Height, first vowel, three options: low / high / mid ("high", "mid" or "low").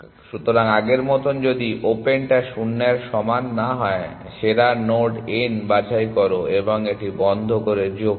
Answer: high